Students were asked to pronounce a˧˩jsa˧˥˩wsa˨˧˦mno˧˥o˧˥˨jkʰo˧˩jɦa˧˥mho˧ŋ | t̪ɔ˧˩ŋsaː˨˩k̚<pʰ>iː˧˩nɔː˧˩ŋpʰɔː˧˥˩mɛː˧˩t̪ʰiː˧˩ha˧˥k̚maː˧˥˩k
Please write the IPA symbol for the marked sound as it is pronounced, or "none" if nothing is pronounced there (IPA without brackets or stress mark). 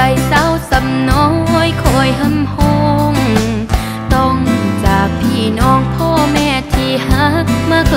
pʰ